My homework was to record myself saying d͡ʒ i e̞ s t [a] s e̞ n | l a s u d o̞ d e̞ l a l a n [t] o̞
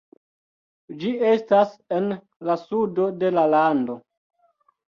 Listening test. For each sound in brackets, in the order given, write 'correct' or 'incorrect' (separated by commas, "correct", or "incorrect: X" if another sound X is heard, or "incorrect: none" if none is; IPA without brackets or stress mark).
correct, incorrect: d